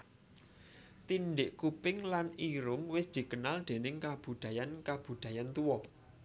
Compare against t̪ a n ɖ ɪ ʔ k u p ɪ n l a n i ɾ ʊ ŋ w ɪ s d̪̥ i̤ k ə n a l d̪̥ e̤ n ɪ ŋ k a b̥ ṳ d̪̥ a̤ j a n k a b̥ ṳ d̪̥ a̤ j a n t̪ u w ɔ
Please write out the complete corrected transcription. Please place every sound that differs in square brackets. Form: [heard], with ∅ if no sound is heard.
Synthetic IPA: t̪ [i] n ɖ ɪ ʔ k u p ɪ [ŋ] l a n i ɾ ʊ ŋ w ɪ s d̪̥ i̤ k ə n a l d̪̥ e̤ n ɪ ŋ k a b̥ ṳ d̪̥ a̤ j a n k a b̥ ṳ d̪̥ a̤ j a n t̪ u w ɔ